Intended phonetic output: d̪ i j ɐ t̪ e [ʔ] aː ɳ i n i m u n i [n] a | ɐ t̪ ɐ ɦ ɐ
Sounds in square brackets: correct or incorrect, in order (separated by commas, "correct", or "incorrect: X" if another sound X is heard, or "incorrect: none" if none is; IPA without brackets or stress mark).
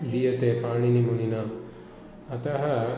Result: incorrect: p, correct